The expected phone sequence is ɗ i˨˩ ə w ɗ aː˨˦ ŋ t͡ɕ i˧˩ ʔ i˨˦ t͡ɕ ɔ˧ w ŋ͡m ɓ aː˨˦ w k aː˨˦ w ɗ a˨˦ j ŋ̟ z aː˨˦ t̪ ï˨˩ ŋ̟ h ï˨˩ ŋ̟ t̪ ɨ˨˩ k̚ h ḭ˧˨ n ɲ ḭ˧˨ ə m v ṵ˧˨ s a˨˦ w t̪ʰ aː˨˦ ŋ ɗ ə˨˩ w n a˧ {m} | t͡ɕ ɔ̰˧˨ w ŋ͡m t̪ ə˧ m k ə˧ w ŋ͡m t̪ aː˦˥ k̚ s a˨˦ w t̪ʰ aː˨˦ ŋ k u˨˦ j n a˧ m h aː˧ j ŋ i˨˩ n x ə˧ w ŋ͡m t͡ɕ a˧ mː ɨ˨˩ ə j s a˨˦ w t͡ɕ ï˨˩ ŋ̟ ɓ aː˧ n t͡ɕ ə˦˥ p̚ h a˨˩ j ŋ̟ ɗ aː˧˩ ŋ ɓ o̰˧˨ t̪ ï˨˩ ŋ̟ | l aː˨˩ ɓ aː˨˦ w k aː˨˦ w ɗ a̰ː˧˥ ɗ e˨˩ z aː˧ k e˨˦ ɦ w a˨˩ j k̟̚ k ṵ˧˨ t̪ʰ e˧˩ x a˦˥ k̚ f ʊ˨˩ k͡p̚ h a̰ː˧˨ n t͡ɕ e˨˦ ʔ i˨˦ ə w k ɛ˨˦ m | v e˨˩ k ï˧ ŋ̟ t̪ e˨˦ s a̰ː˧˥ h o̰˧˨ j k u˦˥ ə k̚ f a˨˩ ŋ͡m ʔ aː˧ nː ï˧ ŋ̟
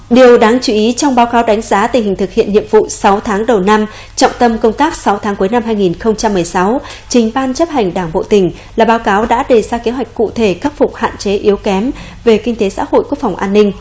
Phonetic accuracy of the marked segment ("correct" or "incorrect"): correct